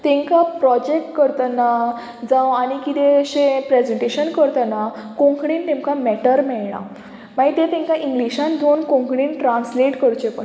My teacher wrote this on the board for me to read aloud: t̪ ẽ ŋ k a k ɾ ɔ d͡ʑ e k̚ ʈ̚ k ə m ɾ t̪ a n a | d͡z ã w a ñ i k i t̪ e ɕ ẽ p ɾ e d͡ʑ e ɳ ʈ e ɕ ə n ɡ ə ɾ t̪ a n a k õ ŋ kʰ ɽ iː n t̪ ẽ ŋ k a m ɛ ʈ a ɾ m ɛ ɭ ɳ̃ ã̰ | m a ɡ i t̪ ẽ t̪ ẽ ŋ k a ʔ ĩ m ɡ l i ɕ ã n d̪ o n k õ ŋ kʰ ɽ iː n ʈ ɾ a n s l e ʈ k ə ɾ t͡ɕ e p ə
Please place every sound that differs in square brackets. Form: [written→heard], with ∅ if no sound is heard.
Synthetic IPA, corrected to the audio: t̪ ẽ ŋ k a [k→p] ɾ ɔ d͡ʑ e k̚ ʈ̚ k ə [m→∅] ɾ t̪ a n a | d͡z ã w a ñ i k i t̪ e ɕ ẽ p ɾ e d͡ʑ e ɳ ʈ e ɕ ə n [ɡ→k] ə ɾ t̪ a n a k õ ŋ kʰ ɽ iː n t̪ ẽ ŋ k a m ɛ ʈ [a→ə] ɾ m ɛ ɭ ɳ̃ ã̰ | m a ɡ i t̪ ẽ t̪ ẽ ŋ k a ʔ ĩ [m→ŋ] ɡ l i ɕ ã n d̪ o n k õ ŋ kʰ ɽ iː n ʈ ɾ a n s l e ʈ k ə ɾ t͡ɕ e p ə

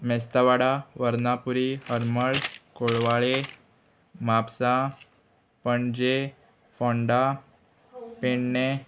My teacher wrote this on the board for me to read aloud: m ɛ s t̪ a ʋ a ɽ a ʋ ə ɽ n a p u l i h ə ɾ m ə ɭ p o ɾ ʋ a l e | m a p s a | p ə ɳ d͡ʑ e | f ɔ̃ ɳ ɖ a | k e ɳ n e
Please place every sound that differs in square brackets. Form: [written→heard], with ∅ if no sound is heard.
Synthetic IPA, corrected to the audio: m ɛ s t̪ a ʋ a ɽ a ʋ ə [ɽ→ɾ] n a p u [l→ɾ] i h ə ɾ m ə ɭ [p→k] o [ɾ→ɭ] ʋ a [l→ɭ] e | m a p s a | p ə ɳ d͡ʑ e | f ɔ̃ ɳ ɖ a | [k→p] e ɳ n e

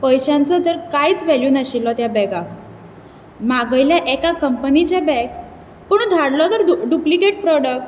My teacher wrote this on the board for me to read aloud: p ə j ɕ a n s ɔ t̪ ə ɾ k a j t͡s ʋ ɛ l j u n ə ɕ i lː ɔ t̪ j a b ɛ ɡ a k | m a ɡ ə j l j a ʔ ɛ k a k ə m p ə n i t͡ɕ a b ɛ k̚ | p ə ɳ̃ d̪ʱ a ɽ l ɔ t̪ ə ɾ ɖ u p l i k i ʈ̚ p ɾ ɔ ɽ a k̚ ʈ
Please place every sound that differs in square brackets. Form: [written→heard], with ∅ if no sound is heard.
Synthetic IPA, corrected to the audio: p ə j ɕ a n [s→t͡s] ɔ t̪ ə ɾ k a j t͡s ʋ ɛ l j u n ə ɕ i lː ɔ t̪ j a b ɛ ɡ a k | m a ɡ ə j l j a ʔ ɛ k a k ə m p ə n i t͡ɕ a b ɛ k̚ | p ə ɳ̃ d̪ʱ a ɽ l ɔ t̪ ə ɾ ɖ u p l i k [i→e] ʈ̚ p ɾ ɔ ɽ [a→ə] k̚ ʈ

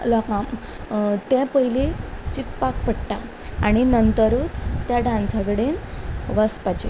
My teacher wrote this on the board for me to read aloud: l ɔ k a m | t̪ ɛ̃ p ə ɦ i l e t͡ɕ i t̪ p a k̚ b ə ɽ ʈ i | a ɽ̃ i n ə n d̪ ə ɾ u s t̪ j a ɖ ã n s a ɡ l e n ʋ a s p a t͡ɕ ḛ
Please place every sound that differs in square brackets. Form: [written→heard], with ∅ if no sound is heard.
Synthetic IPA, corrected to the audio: l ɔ k a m | t̪ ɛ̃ p ə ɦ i l e t͡ɕ i t̪ p a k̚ [b→p] ə ɽ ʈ [i→a] | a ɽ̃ i n ə n [d̪→t̪] ə ɾ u [s→t͡s] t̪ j a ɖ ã n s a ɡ [l→ɽ] e n ʋ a s p a t͡ɕ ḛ

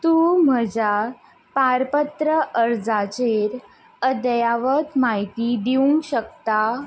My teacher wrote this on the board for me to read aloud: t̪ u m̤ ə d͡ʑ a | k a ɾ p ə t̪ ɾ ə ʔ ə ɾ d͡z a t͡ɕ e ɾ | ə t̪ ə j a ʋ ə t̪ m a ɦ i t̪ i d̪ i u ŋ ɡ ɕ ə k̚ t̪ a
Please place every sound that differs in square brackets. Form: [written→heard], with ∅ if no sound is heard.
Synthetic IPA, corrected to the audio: t̪ u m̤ ə d͡ʑ a | [k→p] a ɾ p ə t̪ ɾ ə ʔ ə ɾ d͡z a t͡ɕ e ɾ | ə [t̪→d̪] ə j a ʋ ə t̪ m a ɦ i t̪ i d̪ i u ŋ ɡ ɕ ə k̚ t̪ a

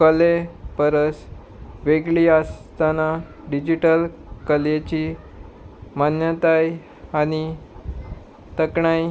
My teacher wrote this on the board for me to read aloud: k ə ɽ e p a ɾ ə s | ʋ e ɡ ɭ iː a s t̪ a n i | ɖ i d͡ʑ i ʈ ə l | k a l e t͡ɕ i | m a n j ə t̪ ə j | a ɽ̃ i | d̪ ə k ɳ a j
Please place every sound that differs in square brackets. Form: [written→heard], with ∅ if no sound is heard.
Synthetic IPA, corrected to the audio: k ə [ɽ→l] e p [a→ə] ɾ ə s | ʋ e ɡ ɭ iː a s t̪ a n [i→a] | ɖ i d͡ʑ i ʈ ə l | k [a→ə] l e t͡ɕ i | m a n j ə t̪ [ə→a] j | a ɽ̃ i | [d̪→t̪] ə k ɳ a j

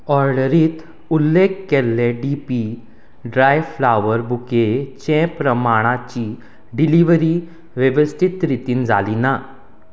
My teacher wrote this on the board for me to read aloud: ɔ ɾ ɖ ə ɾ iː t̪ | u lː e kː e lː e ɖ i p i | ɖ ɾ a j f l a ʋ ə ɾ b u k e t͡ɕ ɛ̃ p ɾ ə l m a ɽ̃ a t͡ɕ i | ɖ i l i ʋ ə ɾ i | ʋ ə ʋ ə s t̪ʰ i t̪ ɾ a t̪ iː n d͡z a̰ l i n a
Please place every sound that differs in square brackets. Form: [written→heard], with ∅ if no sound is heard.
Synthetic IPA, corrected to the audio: ɔ ɾ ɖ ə ɾ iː t̪ | u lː e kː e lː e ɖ i p i | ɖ ɾ a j f l a ʋ ə ɾ b u k e t͡ɕ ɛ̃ p ɾ ə [l→∅] m a ɽ̃ a t͡ɕ i | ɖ i l i ʋ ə ɾ i | ʋ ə ʋ ə s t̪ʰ i t̪ ɾ [a→i] t̪ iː n d͡z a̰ l i n a

